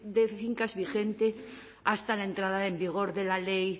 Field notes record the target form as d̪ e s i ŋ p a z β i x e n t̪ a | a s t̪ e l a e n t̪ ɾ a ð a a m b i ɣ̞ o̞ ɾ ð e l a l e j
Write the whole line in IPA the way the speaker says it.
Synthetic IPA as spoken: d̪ e θ i ŋ k a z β i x e n t̪ e | a s t̪ a l a e n t̪ ɾ a ð a e m b i ɣ̞ o̞ ɾ ð e l a l e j

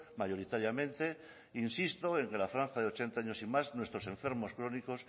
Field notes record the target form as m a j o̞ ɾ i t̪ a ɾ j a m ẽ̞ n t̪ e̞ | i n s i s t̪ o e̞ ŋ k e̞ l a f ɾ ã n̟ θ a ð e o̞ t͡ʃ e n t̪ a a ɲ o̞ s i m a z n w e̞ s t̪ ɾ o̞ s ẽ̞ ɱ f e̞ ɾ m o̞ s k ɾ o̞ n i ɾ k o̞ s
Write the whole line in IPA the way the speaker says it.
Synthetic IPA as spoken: m a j o̞ ɾ i t̪ a ɾ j a m ẽ̞ n t̪ e̞ | i n s i s t̪ o e̞ ŋ k e̞ l a f ɾ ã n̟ θ a ð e o̞ t͡ʃ e n t̪ a a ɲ o̞ s i m a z n w e̞ s t̪ ɾ o̞ s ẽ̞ ɱ f e̞ ɾ m o̞ s k ɾ o̞ n i k o̞ s

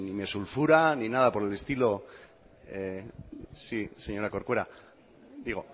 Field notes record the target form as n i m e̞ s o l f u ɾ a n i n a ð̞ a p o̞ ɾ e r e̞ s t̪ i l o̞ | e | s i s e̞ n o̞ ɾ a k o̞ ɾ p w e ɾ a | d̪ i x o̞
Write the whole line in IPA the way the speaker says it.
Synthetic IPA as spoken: n i m e̞ s u l f u ɾ a n i n a ð̞ a p o̞ ɾ e l e̞ s t̪ i l o̞ | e | s i s e̞ ɲ o̞ ɾ a k o̞ ɾ k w e ɾ a | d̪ i ɣ o̞

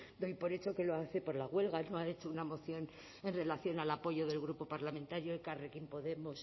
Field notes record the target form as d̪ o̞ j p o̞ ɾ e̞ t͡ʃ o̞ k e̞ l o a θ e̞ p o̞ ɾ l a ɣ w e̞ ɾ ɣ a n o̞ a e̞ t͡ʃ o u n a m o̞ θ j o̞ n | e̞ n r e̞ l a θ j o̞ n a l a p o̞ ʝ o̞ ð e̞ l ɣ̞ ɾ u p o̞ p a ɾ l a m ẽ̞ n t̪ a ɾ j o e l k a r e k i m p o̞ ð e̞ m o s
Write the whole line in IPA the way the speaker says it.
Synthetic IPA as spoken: d̪ o̞ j p o̞ ɾ e̞ t͡ʃ o̞ k e̞ l o a θ e̞ p o̞ ɾ l a ɣ w e̞ l ɣ a n o̞ a e̞ t͡ʃ o u n a m o̞ θ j o̞ n | e̞ n r e̞ l a θ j o̞ n a l a p o̞ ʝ o̞ ð e̞ l ɣ̞ ɾ u p o̞ p a ɾ l a m ẽ̞ n t̪ a ɾ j o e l k a r e k i m p o̞ ð e̞ m o s

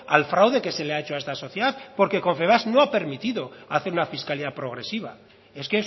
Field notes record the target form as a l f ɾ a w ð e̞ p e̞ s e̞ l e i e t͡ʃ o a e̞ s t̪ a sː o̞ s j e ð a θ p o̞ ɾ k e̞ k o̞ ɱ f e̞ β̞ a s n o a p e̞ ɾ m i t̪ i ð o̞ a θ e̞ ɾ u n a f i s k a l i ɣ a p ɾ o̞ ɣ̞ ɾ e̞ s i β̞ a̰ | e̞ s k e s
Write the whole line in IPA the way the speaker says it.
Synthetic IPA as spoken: a l f ɾ a w ð e̞ k e̞ s e̞ l e a e t͡ʃ o a e̞ s t̪ a s o̞ θ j e ð a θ p o̞ ɾ k e̞ k o̞ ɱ f e̞ β̞ a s n o a p e̞ ɾ m i t̪ i ð o̞ a θ e̞ ɾ u n a f i s k a l i ð a p ɾ o̞ ɣ̞ ɾ e̞ s i β̞ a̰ | e̞ s k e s

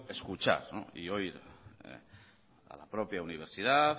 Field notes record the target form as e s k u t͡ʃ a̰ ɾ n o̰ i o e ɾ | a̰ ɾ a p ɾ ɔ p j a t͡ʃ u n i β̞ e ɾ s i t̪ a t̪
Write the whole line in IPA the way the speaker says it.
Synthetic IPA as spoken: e s k u t͡ʃ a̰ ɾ n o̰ i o i ɾ | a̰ l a p ɾ ɔ p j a u n i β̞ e ɾ s i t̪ a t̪

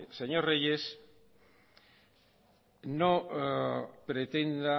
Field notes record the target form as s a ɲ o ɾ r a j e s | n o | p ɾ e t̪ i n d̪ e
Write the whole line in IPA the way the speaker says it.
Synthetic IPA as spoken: s e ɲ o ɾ r e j e s | n o | p ɾ e t̪ e n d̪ a

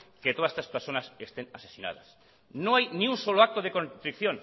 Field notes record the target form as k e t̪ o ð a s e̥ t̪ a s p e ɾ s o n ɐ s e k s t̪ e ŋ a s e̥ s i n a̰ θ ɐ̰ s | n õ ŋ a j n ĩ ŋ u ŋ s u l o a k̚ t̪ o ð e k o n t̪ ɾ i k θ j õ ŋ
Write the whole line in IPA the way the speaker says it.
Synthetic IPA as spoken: k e t̪ o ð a s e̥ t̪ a s p e ɾ s o n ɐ s e s t̪ e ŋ a s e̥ s i n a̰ ð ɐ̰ s | n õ ŋ a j n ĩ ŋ u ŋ s o l o a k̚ t̪ o ð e k o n t̪ ɾ i k θ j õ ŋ

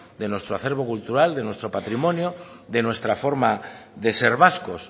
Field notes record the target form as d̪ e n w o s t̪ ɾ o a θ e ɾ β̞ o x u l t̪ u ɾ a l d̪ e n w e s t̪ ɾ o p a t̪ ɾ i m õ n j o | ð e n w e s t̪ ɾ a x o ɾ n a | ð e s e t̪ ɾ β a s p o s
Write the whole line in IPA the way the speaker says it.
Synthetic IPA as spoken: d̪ e n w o s t̪ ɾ o a θ e ɾ β̞ o k u l t̪ u ɾ a l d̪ e n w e s t̪ ɾ o p a t̪ ɾ i m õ n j o | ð e n w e s t̪ ɾ a f o ɾ m a | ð e s e ɾ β a s k o s

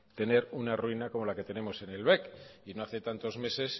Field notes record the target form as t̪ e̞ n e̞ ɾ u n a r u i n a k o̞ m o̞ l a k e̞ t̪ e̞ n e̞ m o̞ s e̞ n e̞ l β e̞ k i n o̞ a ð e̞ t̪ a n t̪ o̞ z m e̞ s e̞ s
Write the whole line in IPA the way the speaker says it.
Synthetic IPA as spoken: t̪ e̞ n e̞ ɾ u n a r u i n a k o̞ m o̞ l a k e̞ t̪ e̞ n e̞ m o̞ s e̞ n e̞ l β e̞ k i n o̞ a θ e̞ t̪ a n t̪ o̞ z m e̞ s e̞ s

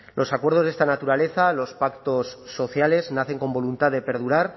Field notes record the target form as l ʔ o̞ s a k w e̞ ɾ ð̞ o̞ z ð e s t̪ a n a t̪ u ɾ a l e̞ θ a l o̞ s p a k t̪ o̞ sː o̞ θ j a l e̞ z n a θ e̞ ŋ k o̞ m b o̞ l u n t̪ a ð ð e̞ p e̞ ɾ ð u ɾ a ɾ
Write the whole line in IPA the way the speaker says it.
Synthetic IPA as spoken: l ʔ o̞ s a k w e̞ ɾ ð̞ o̞ z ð e s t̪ a n a t̪ u ɾ a l e̞ θ a l o̞ s p a k t̪ o̞ sː o̞ θ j a l e̞ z n a θ e̞ ŋ k o̞ m b o̞ l u n t̪ a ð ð e̞ p e̞ ɾ ð u ɾ a ɾ

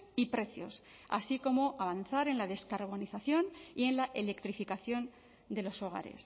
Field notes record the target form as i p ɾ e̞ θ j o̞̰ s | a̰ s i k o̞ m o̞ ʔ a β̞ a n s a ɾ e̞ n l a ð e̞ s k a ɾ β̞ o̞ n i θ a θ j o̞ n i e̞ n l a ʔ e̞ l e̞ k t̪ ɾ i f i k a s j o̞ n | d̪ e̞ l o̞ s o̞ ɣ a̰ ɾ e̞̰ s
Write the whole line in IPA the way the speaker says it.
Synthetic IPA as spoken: i p ɾ e̞ θ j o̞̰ s | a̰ s i k o̞ m o̞ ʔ a β̞ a n θ a ɾ e̞ n l a ð e̞ s k a ɾ β̞ o̞ n i θ a θ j o̞ n i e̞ n l a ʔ e̞ l e̞ k t̪ ɾ i f i k a θ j o̞ n | d̪ e̞ l o̞ s o̞ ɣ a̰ ɾ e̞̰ s

